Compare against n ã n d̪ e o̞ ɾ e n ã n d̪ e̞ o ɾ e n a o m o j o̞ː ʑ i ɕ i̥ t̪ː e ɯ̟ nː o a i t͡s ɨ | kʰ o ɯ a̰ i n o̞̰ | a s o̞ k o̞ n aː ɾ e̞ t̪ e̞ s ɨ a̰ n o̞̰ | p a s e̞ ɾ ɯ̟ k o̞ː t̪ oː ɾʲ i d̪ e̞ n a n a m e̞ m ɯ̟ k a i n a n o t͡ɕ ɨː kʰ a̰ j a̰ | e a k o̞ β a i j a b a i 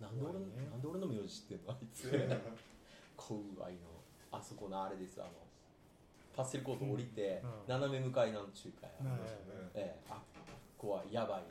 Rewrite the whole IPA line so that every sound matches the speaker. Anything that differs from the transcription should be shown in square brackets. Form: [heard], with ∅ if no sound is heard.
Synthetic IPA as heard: n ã n d̪ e o̞ ɾ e n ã n d̪ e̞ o ɾ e n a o m o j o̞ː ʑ i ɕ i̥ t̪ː e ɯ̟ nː o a i t͡s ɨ | kʰ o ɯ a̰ i n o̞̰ | a s o̞ k o̞ n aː ɾ e̞ [d̪] e̞ s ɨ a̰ n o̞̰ | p a s e̞ ɾ ɯ̟ k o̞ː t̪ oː ɾʲ i [t̪] e̞ n a n a m e̞ m ɯ̟ k a i n a n o t͡ɕ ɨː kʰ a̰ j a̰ | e a k o̞ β a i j a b a i